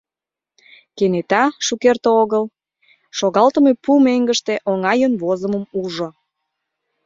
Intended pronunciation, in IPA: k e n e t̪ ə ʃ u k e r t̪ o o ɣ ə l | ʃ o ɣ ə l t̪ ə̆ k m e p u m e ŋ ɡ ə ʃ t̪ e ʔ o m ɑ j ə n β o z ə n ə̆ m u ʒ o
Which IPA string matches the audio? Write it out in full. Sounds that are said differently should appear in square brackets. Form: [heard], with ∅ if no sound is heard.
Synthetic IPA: k e n e t̪ [ɑ] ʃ u k e r t̪ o o ɣ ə l | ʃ o ɣ [ɑ] l t̪ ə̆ [∅] m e p u m e ŋ ɡ ə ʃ t̪ e ʔ o [ŋ] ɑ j ə n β o z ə [m] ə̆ m u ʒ o